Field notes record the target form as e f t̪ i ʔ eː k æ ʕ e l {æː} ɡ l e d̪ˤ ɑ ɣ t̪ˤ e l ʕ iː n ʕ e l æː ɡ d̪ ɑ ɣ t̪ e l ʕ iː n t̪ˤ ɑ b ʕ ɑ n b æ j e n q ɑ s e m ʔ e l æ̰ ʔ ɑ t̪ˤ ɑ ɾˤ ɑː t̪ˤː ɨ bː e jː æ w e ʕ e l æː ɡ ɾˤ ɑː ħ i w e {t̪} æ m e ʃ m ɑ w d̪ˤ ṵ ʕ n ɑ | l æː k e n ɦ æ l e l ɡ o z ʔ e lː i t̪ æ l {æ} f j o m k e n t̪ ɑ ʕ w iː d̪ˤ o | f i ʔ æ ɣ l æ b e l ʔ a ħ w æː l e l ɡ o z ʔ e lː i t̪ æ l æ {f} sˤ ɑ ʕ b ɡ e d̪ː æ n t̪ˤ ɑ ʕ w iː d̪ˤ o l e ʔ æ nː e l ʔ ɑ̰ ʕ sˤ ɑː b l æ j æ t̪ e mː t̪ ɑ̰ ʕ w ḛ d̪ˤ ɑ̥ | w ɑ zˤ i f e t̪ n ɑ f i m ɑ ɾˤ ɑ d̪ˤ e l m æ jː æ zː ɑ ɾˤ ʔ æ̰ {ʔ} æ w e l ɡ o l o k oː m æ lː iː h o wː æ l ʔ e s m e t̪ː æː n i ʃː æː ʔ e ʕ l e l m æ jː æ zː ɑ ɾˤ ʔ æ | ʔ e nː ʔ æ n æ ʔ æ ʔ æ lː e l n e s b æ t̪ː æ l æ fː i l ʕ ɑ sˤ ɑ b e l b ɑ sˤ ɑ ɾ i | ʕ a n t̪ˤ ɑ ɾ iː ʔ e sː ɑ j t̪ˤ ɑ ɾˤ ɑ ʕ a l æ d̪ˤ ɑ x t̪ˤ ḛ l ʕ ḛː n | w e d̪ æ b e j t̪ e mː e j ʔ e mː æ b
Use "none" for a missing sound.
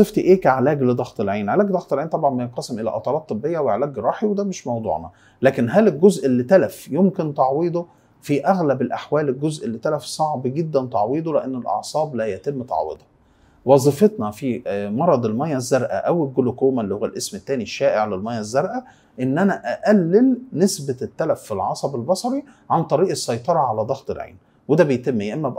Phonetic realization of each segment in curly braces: æː, d̪, æ, f, ʔ

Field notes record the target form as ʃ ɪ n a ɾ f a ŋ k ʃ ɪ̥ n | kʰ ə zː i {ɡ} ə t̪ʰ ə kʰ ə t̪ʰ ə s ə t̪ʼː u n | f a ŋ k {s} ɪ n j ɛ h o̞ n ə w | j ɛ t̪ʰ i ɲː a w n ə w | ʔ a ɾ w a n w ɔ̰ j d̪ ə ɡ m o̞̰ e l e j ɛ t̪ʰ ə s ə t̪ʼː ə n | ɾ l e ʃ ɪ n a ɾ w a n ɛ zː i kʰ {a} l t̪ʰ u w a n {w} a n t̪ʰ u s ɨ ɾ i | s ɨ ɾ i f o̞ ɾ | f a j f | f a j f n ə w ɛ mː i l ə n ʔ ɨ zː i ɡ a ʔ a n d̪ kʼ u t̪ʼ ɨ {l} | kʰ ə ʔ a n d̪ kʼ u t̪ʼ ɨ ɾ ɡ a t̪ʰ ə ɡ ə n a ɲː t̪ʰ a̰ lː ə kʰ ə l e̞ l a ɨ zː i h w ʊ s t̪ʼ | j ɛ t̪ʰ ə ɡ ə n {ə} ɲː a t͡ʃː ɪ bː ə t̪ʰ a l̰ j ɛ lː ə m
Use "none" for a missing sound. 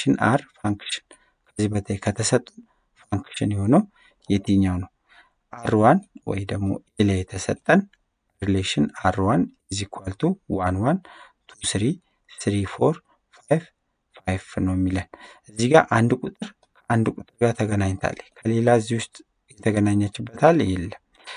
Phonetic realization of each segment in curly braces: b, ʃ, a, w, ɾ, a

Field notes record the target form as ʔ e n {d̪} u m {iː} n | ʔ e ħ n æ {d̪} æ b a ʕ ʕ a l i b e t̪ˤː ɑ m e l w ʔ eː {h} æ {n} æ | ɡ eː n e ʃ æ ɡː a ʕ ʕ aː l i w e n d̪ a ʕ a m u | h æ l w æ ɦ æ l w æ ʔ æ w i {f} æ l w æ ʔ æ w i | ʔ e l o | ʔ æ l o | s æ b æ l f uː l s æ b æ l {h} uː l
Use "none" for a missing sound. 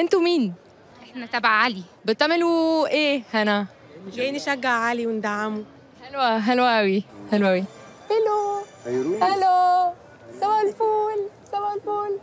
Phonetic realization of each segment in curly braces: t̪, iː, t̪, h, n, h, f

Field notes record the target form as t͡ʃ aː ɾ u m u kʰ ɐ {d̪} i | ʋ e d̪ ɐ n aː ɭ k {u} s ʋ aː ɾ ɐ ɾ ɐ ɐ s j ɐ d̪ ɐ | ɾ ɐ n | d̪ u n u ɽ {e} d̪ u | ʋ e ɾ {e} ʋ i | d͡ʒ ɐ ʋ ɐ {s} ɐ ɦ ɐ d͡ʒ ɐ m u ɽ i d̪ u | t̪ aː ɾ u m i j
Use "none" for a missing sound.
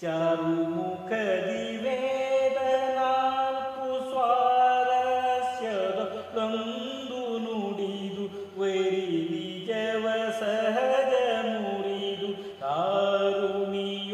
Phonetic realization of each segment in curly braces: d̪, u, i, i, s

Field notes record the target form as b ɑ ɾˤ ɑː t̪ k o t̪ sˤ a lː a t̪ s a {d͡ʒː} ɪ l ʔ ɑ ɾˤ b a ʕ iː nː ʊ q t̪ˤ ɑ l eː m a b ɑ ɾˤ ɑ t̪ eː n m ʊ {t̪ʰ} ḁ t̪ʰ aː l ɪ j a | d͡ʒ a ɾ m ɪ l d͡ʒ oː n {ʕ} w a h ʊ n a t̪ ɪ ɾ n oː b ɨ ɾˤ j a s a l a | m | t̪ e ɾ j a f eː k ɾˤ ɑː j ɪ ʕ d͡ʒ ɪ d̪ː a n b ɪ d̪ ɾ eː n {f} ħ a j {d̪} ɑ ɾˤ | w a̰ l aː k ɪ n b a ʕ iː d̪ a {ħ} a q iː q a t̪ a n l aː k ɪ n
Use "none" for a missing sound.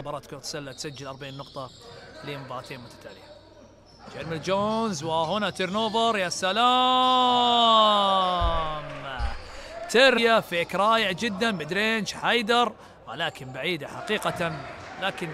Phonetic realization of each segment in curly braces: d͡ʒː, t̪, z, ʃ, d̪, ħ

